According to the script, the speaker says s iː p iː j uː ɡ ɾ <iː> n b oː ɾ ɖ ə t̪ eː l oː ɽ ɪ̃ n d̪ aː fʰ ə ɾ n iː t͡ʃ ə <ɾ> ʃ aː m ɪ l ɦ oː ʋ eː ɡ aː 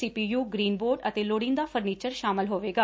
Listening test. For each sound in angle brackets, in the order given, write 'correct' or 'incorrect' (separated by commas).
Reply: correct, correct